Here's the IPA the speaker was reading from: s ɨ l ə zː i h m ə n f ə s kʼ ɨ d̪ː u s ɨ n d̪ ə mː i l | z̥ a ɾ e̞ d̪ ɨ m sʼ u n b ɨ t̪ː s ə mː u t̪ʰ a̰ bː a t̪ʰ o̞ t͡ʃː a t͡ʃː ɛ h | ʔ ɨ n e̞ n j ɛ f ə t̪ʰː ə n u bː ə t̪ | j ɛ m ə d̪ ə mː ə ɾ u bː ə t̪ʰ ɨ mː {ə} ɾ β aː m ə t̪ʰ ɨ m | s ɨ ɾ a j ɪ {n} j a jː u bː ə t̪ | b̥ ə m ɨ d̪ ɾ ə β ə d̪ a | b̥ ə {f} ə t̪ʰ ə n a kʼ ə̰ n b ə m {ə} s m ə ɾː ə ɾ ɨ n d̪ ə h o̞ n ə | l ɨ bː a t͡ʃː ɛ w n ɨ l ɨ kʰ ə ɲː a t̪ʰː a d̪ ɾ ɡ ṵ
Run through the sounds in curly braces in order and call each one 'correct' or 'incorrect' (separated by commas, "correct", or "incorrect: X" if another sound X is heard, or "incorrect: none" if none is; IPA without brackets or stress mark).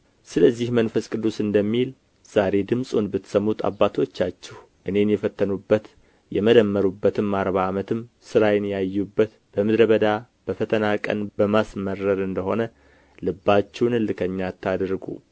incorrect: a, correct, correct, incorrect: a